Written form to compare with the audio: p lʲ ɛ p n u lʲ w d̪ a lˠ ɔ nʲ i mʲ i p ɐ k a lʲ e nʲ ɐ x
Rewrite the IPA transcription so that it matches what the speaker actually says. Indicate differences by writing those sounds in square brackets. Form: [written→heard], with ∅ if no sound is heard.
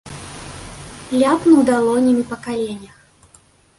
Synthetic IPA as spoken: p lʲ [ɛ→a] p n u [lʲ→∅] w d̪ a lˠ ɔ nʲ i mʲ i p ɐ k a lʲ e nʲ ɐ x